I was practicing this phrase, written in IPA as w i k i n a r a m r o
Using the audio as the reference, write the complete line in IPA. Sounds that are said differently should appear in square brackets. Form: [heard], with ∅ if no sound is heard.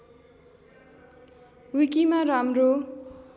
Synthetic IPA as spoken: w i k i [m] a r a m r o

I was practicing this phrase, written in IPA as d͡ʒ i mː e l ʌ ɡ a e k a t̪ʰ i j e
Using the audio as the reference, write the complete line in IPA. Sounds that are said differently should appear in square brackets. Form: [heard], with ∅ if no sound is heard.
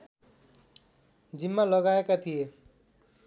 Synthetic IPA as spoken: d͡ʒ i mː [a] l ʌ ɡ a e k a t̪ʰ i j e

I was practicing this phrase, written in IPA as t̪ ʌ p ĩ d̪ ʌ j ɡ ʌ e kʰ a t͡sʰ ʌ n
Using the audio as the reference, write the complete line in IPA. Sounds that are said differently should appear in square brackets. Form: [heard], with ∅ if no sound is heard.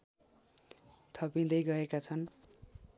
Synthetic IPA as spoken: [t̪ʰ] ʌ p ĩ d̪ ʌ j ɡ ʌ e [k] a t͡sʰ ʌ n

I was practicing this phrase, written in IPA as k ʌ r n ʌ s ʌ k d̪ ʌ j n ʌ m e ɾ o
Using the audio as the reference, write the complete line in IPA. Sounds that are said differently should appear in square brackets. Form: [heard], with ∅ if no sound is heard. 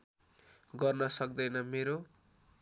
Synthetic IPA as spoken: [ɡ] ʌ r n ʌ s ʌ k d̪ ʌ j n ʌ m e ɾ o

